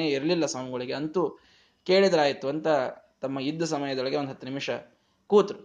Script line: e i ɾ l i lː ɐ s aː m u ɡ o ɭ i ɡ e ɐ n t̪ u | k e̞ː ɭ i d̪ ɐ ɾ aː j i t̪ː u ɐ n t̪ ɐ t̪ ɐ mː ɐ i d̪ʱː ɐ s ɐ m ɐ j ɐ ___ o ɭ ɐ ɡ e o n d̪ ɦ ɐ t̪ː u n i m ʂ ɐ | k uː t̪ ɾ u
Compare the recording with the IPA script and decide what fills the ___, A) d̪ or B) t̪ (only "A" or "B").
A